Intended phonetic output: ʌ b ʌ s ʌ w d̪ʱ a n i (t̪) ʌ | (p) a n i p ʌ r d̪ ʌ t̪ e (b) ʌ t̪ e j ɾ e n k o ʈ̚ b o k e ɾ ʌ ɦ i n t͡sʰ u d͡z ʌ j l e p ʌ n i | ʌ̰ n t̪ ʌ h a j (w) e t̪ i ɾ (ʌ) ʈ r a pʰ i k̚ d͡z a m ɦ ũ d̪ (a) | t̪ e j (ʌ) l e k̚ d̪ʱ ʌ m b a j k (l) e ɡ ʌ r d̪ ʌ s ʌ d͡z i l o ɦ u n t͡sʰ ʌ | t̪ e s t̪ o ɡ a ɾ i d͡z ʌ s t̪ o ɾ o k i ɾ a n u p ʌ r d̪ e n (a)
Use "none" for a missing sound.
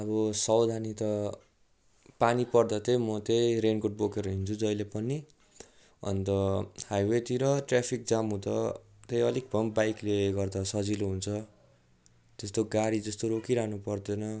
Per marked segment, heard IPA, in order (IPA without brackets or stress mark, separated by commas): t̪, p, m, w, ʌ, ʌ, ʌ, l, ʌ